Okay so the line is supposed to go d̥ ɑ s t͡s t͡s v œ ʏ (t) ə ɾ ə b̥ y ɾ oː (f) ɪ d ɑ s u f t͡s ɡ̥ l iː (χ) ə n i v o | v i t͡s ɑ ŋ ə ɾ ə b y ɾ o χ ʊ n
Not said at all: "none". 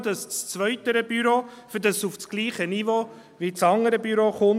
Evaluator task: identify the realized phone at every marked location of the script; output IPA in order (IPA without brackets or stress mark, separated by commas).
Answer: t, f, χ